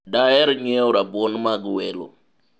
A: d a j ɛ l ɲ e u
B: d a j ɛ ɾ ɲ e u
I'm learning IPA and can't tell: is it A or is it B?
B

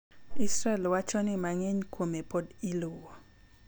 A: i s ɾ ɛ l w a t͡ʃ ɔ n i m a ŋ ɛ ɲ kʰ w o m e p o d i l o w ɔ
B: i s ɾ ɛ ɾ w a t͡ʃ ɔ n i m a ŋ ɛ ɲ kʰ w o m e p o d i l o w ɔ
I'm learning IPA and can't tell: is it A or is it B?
A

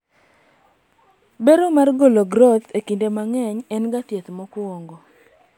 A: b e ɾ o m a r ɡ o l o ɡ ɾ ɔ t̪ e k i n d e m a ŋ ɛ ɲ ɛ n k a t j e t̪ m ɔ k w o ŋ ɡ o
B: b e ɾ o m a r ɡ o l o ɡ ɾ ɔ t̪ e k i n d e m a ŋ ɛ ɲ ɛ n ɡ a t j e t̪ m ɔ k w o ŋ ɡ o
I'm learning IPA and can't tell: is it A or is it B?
B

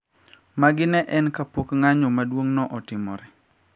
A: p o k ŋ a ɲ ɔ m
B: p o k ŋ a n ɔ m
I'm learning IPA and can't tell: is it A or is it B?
A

